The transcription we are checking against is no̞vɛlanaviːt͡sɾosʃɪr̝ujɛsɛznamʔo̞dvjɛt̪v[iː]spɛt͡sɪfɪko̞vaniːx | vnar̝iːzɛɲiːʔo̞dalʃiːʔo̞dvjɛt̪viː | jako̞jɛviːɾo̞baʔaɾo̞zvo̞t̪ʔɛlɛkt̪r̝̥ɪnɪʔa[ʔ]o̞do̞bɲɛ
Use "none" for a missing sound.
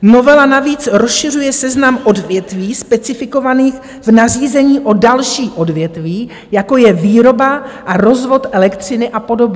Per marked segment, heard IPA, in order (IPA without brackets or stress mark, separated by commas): iː, p